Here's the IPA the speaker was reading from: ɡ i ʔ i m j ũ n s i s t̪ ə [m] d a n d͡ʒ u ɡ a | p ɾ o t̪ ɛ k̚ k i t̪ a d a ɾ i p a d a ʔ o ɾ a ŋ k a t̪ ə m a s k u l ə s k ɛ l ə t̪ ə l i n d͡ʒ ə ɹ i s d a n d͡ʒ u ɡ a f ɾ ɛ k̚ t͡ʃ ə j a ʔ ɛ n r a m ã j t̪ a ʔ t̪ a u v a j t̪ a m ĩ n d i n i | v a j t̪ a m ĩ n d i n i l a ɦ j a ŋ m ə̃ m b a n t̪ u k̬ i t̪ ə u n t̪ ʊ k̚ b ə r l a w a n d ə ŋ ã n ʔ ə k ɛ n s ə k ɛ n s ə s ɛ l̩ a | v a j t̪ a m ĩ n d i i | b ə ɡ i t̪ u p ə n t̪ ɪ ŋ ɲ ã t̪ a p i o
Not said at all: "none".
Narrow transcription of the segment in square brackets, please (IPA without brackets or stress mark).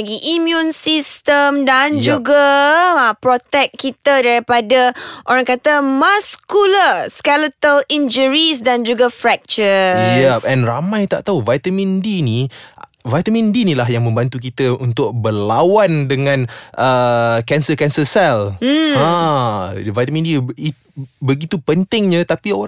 m